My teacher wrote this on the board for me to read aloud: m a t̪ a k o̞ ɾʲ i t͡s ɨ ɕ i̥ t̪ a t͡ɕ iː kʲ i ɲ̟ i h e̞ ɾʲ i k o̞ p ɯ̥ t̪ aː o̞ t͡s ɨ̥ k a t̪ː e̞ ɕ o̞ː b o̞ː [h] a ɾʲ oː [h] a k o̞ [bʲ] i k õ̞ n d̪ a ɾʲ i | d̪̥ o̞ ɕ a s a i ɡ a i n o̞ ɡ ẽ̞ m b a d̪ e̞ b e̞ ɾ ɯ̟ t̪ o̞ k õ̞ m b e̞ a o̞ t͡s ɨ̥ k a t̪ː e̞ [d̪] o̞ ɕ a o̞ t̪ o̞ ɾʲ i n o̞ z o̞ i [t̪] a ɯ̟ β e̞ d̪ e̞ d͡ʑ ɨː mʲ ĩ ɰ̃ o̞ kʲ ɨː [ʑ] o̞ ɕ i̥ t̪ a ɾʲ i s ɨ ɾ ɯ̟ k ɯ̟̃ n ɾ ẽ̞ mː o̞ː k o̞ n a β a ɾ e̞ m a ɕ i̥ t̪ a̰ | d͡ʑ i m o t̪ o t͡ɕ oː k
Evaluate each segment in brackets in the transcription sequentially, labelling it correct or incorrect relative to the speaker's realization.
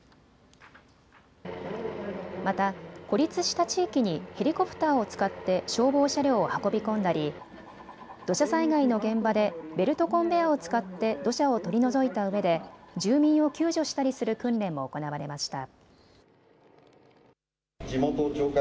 incorrect: ɕ, correct, correct, correct, correct, correct

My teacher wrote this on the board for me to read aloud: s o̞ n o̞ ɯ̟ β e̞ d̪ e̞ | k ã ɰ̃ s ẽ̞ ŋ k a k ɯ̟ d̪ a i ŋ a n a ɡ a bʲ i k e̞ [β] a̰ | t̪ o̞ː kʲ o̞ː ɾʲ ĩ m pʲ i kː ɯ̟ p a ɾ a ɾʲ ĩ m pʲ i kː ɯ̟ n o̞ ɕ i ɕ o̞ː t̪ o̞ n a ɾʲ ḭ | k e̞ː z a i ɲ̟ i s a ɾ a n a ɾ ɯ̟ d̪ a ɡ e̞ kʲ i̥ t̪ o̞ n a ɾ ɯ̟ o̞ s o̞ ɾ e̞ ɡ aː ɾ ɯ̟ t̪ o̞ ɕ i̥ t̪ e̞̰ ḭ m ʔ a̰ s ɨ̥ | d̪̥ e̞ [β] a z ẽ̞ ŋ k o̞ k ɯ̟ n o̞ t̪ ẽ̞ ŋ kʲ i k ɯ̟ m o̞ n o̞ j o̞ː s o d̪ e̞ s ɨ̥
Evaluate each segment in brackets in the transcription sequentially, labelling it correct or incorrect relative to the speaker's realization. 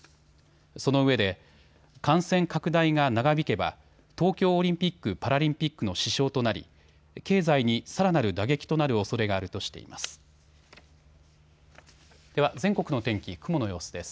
incorrect: b, correct

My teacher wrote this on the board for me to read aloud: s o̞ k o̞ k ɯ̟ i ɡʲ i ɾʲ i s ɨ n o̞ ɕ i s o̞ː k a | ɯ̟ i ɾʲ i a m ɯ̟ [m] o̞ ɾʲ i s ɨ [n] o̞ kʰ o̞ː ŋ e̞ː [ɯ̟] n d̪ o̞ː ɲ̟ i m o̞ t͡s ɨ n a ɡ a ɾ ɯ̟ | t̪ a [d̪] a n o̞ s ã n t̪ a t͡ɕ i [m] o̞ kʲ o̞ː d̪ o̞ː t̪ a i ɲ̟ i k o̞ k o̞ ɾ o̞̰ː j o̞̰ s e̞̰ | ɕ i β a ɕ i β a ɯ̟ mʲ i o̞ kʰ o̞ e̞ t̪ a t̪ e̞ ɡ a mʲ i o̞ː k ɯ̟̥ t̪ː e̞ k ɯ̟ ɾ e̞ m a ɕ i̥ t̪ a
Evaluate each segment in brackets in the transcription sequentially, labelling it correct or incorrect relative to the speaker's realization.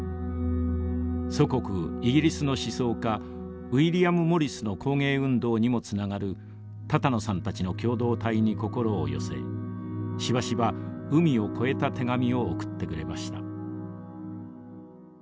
correct, correct, incorrect: ɯ̟̃, incorrect: t̪, incorrect: n

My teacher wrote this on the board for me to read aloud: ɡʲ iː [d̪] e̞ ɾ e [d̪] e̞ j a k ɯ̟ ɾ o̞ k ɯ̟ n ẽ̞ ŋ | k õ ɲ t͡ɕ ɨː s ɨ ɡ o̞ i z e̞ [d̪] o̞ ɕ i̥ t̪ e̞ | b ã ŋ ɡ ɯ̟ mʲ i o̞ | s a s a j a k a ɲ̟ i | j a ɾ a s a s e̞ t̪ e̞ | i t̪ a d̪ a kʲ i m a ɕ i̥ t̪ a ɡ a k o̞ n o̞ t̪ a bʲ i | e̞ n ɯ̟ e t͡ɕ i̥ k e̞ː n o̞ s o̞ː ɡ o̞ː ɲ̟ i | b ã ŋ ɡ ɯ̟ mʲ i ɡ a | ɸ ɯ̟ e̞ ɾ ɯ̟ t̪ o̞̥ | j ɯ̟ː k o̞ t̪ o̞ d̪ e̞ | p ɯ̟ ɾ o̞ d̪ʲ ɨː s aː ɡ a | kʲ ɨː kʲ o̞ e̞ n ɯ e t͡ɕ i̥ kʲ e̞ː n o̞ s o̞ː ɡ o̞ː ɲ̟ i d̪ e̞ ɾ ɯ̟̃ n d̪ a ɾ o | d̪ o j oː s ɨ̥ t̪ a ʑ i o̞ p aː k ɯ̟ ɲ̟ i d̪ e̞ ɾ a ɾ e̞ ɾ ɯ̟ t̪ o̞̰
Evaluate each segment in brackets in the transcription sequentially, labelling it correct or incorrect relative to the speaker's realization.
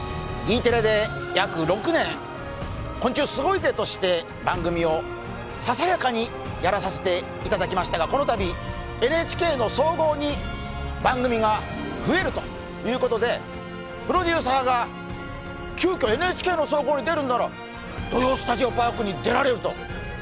incorrect: t̪, correct, incorrect: t̪

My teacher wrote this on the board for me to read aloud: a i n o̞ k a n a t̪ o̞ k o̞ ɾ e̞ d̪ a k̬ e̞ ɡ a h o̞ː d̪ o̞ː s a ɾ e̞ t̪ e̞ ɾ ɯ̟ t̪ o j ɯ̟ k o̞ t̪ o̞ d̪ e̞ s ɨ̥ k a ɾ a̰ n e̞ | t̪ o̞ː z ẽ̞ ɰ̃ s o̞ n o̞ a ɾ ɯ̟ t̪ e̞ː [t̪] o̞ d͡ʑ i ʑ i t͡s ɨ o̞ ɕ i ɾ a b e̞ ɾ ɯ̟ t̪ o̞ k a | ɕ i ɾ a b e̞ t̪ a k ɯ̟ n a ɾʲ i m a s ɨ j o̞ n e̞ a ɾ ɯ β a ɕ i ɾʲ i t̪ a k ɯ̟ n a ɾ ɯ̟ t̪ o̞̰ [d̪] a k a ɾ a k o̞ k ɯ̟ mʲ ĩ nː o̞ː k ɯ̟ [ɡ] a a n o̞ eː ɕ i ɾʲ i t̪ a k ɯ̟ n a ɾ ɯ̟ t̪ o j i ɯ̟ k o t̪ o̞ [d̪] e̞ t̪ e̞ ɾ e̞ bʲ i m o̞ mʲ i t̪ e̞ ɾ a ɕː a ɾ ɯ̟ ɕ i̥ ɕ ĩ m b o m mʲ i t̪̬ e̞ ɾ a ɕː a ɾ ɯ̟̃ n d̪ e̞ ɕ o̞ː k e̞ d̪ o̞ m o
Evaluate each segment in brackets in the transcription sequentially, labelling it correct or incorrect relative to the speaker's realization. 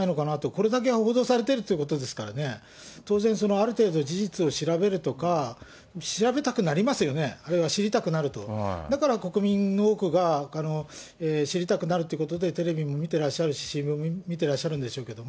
incorrect: d̪, correct, correct, correct

